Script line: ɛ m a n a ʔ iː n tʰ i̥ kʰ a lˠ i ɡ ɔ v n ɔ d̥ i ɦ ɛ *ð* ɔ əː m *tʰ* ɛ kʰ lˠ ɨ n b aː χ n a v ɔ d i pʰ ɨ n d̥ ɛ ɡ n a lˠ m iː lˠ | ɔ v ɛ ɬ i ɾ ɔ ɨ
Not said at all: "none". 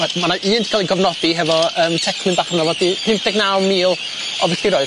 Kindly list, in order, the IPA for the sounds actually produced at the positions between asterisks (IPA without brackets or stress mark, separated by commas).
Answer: v, tʰ